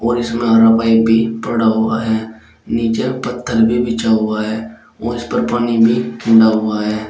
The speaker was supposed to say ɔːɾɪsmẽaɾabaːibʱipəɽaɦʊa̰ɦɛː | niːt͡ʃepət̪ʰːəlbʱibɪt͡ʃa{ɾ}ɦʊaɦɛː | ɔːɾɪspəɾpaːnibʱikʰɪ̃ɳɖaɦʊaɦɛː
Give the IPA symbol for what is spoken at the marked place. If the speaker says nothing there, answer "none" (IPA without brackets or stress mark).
none